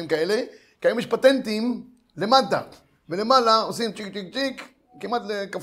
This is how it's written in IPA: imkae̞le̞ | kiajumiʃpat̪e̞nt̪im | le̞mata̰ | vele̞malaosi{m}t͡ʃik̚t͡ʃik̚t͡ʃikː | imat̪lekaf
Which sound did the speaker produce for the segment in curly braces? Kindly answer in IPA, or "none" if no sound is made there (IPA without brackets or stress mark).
m